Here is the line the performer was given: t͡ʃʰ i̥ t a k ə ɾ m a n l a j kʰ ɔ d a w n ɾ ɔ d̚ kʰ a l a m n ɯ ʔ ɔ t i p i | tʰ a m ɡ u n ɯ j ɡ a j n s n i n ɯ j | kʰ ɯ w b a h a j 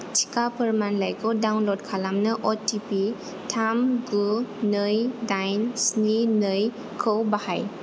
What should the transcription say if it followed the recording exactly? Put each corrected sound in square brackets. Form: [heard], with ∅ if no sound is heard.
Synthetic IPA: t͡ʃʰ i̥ [k] a [p] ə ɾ m a n l a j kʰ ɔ d a w n [l] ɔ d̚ kʰ a l a m n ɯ ʔ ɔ t i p i | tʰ a m ɡ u n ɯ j [d] a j n s n i n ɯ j | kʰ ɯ w b a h a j